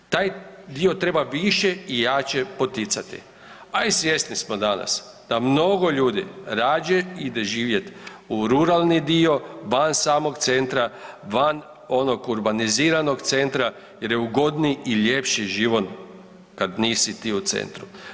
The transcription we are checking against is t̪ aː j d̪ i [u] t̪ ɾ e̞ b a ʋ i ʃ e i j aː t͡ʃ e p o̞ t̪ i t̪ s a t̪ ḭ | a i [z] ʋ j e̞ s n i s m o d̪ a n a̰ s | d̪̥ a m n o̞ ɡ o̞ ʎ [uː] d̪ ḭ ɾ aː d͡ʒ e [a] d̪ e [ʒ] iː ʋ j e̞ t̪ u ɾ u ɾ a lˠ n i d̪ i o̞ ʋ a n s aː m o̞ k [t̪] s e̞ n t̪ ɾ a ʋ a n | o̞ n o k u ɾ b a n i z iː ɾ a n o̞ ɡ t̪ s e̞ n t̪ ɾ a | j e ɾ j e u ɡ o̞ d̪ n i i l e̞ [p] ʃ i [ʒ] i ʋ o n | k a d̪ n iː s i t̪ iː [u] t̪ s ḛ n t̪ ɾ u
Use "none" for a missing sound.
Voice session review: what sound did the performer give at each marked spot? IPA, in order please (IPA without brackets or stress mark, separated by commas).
o, s, uː, i, ʒ, t̪, p, ʒ, u